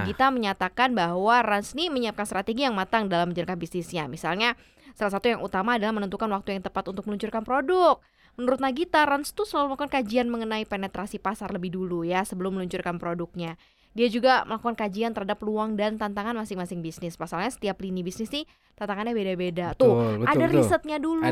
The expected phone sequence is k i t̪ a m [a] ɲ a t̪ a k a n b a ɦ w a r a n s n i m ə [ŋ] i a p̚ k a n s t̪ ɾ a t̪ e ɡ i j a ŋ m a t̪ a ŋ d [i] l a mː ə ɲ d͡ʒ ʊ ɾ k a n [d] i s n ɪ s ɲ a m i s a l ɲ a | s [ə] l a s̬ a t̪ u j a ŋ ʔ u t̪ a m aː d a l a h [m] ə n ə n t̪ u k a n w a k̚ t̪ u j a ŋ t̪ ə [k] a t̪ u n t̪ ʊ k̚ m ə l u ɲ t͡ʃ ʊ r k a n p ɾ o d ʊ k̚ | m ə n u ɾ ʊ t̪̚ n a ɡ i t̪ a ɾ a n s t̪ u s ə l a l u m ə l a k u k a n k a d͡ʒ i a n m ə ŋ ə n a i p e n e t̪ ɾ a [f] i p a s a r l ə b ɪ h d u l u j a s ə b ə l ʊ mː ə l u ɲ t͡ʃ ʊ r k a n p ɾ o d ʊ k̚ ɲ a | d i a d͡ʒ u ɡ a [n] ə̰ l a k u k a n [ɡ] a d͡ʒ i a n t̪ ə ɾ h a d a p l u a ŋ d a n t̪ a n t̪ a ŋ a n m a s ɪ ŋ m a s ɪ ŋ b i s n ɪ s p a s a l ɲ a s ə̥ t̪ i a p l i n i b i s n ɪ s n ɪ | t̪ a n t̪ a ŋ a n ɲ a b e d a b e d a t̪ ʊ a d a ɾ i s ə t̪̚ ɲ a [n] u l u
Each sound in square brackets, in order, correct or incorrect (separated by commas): incorrect, incorrect, incorrect, incorrect, incorrect, correct, incorrect, incorrect, incorrect, incorrect, incorrect